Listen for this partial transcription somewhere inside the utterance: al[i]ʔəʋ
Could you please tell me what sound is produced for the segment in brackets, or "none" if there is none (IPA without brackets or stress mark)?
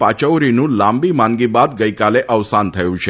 e